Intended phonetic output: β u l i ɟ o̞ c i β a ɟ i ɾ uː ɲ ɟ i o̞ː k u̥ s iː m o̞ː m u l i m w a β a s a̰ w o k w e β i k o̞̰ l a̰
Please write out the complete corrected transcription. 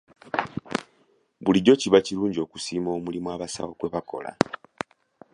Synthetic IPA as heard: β u l i ɟ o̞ c i β a c i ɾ uː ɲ ɟ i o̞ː k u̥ s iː m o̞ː m u l i m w a β a s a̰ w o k w e β a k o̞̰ l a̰